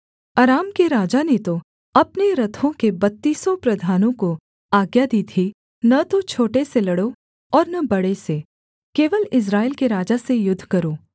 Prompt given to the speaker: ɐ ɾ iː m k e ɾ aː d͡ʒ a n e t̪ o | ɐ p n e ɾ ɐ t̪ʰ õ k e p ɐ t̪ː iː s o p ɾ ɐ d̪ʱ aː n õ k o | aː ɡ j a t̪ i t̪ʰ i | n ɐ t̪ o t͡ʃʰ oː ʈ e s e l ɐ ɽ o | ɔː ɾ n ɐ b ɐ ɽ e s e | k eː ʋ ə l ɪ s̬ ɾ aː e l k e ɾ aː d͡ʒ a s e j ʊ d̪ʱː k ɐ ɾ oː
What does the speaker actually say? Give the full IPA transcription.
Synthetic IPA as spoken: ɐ ɾ aː m k e ɾ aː d͡ʒ a n e t̪ o | ɐ p n e ɾ ɐ t̪ʰ õ k e b ɐ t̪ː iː s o p ɾ ɐ d̪ʱ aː n õ k o | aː ɡ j a d̪ i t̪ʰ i | n ɐ t̪ o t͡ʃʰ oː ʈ e s e l ɐ ɽ o | ɔː ɾ n ɐ b ɐ ɽ e s e | k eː ʋ ə l ɪ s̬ ɾ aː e l k e ɾ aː d͡ʒ a s e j ʊ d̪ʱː k ɐ ɾ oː

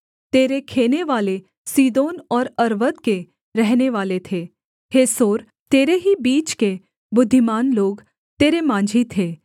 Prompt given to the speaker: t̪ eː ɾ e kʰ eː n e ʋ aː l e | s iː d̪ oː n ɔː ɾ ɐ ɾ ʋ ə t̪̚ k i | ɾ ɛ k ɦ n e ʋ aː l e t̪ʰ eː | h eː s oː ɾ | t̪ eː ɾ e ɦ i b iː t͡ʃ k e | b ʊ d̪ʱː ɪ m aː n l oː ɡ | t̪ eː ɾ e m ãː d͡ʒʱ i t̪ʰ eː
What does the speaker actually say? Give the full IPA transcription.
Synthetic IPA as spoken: t̪ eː ɾ e kʰ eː n e ʋ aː l e | s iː d̪ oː n ɔː ɾ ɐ ɾ ʋ ə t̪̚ k e | ɾ ɛ ɦ n e ʋ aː l e t̪ʰ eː | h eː s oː ɾ | t̪ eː ɾ e ɦ i b iː t͡ʃ k e | b ʊ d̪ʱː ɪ m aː n l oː ɡ | t̪ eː ɾ e m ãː d͡ʒʱ i t̪ʰ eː

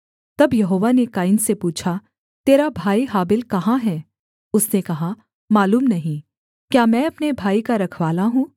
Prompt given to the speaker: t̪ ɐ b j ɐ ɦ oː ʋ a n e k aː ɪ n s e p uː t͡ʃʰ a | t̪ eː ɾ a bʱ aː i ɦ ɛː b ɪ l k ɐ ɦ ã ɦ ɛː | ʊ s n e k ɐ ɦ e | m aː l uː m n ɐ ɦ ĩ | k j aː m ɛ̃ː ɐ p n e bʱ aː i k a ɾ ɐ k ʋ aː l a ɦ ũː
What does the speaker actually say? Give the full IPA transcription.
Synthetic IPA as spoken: t̪ ɐ b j ɐ ɦ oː ʋ a n e k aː ɪ n s e p uː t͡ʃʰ a | t̪ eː ɾ a bʱ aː i ɦ aː b ɪ l k ɐ ɦ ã ɦ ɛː | ʊ s n e k ɐ ɦ a | m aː l uː m n ɐ ɦ ĩ | k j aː m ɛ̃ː ɐ p n e bʱ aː i k a ɾ ɐ kʰ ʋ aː l a ɦ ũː

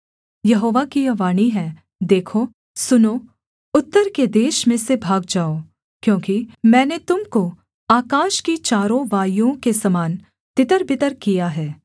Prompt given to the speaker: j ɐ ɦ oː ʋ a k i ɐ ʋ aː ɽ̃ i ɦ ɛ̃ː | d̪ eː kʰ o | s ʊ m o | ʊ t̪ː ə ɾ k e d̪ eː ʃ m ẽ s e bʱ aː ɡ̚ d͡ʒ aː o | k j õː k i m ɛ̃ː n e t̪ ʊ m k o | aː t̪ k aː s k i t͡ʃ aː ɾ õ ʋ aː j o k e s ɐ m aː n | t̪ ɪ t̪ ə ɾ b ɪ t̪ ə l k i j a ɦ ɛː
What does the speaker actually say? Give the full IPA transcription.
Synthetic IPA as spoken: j ɐ ɦ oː ʋ a k i ɐ ʋ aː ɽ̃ i ɦ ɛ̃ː | d̪ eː kʰ o | s ʊ n o | ʊ t̪ː ə ɾ k e d̪ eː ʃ m ẽ s e bʱ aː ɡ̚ d͡ʒ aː o | k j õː k i m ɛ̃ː n e t̪ ʊ m k o | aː k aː ʃ k i t͡ʃ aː ɾ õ ʋ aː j õ k e s ɐ m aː n | t̪ ɪ t̪ ə ɾ b ɪ t̪ ə ɾ k i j a ɦ ɛː

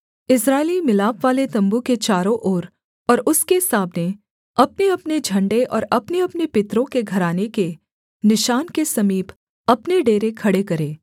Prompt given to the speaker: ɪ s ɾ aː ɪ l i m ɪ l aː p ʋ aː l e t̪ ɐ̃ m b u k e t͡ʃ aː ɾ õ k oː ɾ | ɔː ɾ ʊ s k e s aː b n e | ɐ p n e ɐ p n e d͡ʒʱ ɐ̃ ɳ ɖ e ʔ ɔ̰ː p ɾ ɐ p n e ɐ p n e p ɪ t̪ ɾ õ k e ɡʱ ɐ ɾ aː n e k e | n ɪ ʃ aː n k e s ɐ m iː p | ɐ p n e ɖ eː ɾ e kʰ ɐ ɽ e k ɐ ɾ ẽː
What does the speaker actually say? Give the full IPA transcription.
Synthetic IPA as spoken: ɪ s ɾ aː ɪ l i m ɪ l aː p ʋ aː l e t̪ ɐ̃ m b u k e t͡ʃ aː ɾ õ ʔ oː ɾ | ɔː ɾ ʊ s k e s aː b n e | ɐ p n e ɐ p n e d͡ʒʱ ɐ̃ ɳ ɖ e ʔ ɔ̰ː ɾ ɐ p n e ɐ p n e p ɪ t̪ ɾ õ k e ɡʱ ɐ ɾ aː n e k e | n ɪ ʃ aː n k e s ɐ m iː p | ɐ p n e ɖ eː ɾ e kʰ ɐ ɽ e k ɐ ɾ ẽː

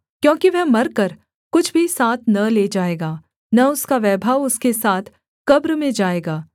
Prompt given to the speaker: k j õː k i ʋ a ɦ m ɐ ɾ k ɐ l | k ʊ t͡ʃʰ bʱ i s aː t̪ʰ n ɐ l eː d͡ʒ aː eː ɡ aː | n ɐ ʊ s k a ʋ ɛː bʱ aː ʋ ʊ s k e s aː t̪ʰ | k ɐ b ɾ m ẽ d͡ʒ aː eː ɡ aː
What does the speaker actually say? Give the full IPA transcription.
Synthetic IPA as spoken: k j õː k i ʋ ɛ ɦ m ɐ ɾ k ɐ ɾ | k ʊ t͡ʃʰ bʱ i s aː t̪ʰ n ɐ l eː d͡ʒ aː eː ɡ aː | n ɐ ʊ s k a ʋ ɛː bʱ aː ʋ ʊ s k e s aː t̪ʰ | k ɐ b ɾ m ẽ d͡ʒ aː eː ɡ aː

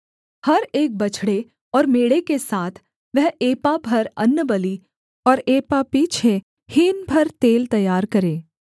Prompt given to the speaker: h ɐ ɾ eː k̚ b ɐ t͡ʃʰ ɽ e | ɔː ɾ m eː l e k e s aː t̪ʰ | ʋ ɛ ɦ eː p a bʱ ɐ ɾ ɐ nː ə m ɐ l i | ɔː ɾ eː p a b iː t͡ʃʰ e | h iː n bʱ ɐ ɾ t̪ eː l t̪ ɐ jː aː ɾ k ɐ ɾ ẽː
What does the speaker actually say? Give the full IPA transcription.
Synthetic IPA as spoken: h ɐ ɾ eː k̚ b ɐ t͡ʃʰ ɽ e | ɔː ɾ m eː ɽ e k e s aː t̪ʰ | ʋ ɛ ɦ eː p a bʱ ɐ ɾ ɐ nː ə b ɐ l i | ɔː ɾ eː p a p iː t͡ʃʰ e | h iː n bʱ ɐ ɾ t̪ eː l t̪ ɐ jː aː ɾ k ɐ ɾ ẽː

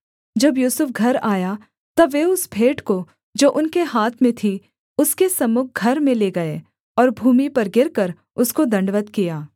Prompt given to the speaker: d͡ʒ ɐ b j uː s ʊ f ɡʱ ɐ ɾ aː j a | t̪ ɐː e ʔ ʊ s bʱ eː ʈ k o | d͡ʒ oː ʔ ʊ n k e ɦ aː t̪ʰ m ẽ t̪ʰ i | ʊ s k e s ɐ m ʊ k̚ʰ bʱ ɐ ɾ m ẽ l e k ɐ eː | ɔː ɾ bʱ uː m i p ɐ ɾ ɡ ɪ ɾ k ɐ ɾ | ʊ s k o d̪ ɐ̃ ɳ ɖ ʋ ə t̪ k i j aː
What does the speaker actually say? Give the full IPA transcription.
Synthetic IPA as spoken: d͡ʒ ɐ b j uː s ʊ f ɡʱ ɐ ɾ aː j a | t̪ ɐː e ʊ s bʱ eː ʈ k o | d͡ʒ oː ʔ ʊ n k e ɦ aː t̪ʰ m ẽ t̪ʰ i | ʊ s k e s ɐ m ʊ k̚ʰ ɡʱ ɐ ɾ m ẽ l e ɡ ɐ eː | ɔː ɾ bʱ uː m i p ɐ ɾ ɡ ɪ ɾ k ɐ ɾ | ʊ s k o d̪ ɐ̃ ɳ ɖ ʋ ə t̪ k i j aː

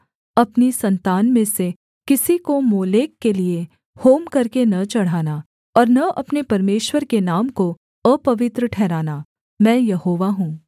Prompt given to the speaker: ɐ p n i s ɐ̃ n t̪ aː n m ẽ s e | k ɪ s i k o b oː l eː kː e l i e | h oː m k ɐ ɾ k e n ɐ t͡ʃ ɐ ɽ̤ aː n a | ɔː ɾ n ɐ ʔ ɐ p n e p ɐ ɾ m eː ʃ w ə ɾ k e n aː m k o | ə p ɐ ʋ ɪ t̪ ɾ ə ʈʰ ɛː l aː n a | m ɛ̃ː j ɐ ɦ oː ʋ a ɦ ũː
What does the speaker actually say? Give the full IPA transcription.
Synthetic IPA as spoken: ɐ p n i s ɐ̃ n t̪ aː n m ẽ s e | k ɪ s i k o m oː l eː kː e l i e | h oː m k ɐ ɾ k e n ɐ t͡ʃ ɐ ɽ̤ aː n a | ɔː ɾ n ɐ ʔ ɐ p n e p ɐ ɾ m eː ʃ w ə ɾ k e n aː m k o | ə p ɐ ʋ ɪ t̪ ɾ ə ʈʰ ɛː ɾ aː n a | m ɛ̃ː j ɐ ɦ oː ʋ a ɦ ũː

